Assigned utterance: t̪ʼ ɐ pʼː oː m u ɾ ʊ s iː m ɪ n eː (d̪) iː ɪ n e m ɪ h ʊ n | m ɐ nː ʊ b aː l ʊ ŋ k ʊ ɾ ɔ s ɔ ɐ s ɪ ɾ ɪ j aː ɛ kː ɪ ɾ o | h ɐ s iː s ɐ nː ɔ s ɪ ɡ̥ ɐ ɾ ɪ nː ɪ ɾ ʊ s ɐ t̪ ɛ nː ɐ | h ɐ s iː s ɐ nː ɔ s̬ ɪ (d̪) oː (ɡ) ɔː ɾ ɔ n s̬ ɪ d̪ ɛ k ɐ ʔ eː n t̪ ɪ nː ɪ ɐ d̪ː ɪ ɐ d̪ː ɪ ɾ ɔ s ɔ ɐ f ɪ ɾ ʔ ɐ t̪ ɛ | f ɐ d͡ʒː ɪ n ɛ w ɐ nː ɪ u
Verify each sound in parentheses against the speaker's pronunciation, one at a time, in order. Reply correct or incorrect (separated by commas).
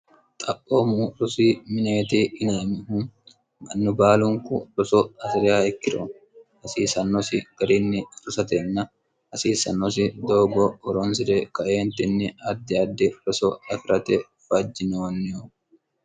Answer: incorrect, correct, correct